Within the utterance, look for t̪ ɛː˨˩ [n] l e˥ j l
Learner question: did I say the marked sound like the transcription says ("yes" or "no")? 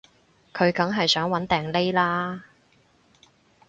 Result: no